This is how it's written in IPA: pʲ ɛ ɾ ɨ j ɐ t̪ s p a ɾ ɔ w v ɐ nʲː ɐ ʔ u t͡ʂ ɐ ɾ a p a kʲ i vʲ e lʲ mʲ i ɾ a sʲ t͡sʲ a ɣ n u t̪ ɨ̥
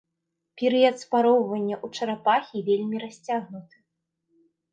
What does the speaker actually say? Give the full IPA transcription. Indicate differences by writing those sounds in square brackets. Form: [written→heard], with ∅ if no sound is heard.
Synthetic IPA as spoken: pʲ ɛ ɾ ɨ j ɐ t̪ s p a ɾ ɔ w v ɐ nʲː ɐ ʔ u t͡ʂ ɐ ɾ a p a [kʲ→xʲ] i vʲ e lʲ mʲ i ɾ a sʲ t͡sʲ a ɣ n u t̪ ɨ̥